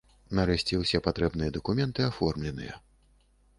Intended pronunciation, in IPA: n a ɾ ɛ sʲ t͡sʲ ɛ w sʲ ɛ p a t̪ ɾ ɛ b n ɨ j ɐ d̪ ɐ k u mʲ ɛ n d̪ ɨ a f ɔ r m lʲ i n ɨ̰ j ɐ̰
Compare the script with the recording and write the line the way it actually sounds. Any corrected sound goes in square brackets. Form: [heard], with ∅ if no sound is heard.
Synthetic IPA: n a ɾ ɛ sʲ t͡sʲ ɛ w sʲ ɛ p a t̪ ɾ ɛ b n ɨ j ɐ d̪ ɐ k u mʲ ɛ n [t̪] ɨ a f ɔ r m lʲ [ɛ] n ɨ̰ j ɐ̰